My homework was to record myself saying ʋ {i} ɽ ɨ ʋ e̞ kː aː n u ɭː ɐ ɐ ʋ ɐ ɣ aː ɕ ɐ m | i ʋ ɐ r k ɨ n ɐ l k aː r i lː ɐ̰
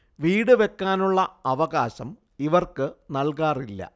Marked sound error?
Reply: yes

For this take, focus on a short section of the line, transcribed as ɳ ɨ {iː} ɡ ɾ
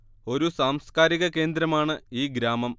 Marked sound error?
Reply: no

